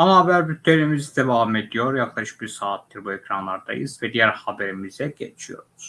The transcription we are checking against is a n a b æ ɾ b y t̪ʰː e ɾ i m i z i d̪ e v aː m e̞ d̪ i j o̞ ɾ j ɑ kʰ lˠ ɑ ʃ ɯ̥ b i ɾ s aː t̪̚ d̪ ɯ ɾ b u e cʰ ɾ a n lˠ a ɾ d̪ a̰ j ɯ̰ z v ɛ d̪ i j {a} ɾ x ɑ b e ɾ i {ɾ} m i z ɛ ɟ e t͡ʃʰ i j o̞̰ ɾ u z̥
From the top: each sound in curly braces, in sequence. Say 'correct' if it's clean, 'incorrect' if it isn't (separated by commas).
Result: incorrect, incorrect